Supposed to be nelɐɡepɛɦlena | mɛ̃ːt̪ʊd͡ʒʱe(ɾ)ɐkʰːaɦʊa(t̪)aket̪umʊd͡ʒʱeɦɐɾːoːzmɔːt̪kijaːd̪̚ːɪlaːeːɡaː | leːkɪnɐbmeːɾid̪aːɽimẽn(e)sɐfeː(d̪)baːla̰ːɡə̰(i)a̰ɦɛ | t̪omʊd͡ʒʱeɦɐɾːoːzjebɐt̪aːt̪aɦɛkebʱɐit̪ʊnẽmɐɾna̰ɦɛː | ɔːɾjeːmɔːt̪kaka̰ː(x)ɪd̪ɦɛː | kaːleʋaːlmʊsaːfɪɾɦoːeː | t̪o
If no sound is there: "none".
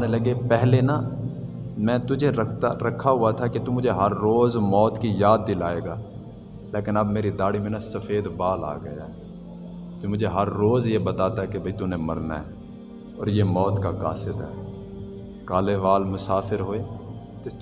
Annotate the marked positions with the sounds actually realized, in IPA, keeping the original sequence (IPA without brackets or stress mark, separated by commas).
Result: ɾ, t̪ʰ, a, d̪, j, s